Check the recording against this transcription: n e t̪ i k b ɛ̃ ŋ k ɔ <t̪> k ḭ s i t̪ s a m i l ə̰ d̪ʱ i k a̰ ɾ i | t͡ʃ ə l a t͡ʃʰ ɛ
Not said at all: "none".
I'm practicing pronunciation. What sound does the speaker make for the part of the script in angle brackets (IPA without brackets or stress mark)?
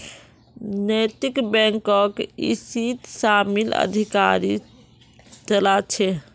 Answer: none